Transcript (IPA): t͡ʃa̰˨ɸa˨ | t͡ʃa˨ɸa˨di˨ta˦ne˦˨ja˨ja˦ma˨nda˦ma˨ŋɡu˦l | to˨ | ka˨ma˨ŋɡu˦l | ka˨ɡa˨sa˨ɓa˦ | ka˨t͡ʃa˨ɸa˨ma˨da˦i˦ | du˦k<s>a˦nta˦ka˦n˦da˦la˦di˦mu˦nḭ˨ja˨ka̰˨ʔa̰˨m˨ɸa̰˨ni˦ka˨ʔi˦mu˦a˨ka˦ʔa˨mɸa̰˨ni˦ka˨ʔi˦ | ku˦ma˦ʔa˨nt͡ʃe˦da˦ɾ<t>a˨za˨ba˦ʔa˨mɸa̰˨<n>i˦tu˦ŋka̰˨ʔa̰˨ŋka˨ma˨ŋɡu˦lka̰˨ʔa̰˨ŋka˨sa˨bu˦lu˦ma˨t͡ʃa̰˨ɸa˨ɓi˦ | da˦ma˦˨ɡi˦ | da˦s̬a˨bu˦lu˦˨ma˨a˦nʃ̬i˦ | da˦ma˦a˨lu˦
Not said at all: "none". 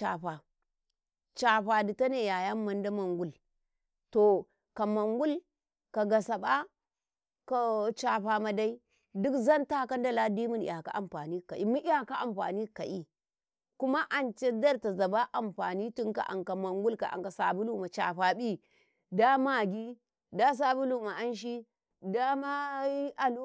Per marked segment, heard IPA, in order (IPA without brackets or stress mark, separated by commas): z, t, n